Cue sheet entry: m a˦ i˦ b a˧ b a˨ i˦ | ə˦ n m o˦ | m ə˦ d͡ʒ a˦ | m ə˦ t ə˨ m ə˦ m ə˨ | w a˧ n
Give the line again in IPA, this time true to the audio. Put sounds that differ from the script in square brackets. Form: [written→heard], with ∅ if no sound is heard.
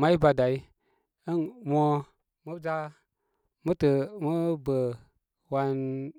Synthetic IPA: m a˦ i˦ b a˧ [b→d] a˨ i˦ | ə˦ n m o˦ | m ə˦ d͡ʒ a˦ | m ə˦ t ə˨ m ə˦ [m→b] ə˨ | w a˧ n